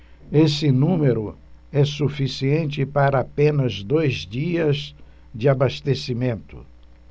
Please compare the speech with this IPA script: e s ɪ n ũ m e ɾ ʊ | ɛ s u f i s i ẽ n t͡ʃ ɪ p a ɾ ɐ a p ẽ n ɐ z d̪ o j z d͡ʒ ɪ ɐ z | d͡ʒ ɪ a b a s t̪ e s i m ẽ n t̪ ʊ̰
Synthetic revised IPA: e s ɪ n ũ m e ɾ ʊ | ɛ s u f i s i ẽ n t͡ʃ ɪ p a ɾ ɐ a p ẽ n ɐ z d̪ o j z d͡ʒ i ɐ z | d͡ʒ ɪ a b a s t̪ e s i m ẽ n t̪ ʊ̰